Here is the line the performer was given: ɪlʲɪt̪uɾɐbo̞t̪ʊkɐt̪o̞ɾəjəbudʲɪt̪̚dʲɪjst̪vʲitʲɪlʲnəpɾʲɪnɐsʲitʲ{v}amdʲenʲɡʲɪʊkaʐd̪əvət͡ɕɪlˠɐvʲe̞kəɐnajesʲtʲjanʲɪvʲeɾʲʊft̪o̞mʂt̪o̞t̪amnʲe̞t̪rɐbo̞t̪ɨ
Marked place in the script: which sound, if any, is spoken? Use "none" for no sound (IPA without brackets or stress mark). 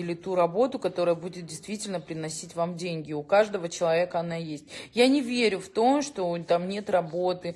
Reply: v